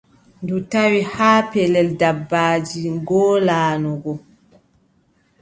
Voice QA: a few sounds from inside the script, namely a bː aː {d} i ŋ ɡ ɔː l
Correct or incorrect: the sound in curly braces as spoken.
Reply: incorrect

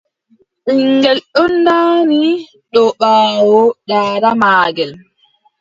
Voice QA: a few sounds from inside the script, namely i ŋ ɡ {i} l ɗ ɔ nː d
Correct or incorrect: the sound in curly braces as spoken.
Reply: incorrect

